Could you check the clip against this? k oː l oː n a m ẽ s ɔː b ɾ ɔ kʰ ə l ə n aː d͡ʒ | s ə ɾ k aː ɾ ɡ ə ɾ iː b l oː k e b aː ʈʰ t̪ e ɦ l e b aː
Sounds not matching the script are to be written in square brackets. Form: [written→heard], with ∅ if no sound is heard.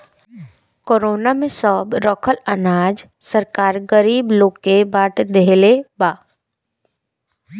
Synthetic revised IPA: k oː [l→ɾ] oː n a m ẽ s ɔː b ɾ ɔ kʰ ə l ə n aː d͡ʒ | s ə ɾ k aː ɾ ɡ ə ɾ iː b l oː k e b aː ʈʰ [t̪→d̪] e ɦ l e b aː